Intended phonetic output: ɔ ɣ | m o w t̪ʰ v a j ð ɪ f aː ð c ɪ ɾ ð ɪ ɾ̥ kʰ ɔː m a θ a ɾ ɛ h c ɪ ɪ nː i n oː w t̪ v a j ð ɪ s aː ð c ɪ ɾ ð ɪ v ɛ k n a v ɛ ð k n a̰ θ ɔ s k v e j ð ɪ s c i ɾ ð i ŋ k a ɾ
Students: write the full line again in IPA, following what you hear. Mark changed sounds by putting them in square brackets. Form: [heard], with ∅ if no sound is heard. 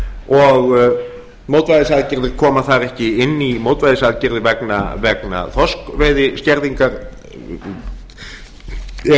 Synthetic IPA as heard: ɔ ɣ | m o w [t̪] v a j ð ɪ [s] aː ð c ɪ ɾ ð ɪ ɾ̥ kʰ ɔː m a θ a ɾ ɛ h c ɪ ɪ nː i [m] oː w t̪ v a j ð ɪ s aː ð c ɪ ɾ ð ɪ v ɛ k n a v ɛ [∅] k n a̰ θ ɔ s k v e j ð ɪ s c [ɛ] ɾ ð i ŋ k a ɾ